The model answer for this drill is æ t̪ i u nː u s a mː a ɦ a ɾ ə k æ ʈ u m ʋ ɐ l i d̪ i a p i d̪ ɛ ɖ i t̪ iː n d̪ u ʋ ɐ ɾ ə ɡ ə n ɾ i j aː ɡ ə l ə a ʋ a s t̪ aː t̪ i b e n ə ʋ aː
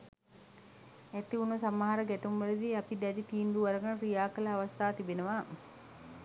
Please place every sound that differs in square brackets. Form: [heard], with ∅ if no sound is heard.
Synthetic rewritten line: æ t̪ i u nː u s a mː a ɦ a ɾ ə [ɡ] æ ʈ u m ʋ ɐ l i d̪ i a p i d̪ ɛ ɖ i t̪ iː n d̪ u ʋ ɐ ɾ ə ɡ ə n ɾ i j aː [k] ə l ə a ʋ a s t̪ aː t̪ i b e n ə ʋ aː